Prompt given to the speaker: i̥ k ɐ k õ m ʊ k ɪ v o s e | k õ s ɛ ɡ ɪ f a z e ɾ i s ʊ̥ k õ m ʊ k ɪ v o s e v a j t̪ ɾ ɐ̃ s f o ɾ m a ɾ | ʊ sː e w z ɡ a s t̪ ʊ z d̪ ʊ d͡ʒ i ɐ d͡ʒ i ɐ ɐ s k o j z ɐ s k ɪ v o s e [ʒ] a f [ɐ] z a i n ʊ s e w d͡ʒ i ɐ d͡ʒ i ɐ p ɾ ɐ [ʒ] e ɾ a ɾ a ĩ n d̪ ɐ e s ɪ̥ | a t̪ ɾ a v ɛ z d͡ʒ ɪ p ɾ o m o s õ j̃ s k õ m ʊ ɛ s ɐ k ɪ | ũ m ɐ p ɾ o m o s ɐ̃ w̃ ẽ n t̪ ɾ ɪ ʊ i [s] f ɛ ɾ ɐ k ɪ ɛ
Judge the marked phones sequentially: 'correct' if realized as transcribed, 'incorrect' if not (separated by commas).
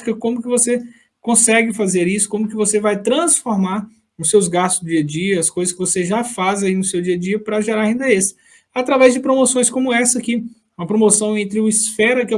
correct, incorrect, correct, correct